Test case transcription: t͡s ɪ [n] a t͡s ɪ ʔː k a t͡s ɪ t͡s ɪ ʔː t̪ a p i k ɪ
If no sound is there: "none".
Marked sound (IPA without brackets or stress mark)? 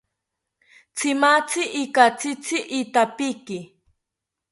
m